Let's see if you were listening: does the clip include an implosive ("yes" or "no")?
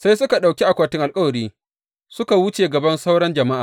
yes